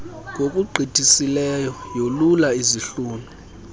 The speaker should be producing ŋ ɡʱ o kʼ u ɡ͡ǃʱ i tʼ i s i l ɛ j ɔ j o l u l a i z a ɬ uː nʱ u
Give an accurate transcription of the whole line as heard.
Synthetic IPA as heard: ŋ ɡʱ o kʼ u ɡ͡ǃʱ i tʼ i s i l ɛ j ɔ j o l u l a i z i ɬ uː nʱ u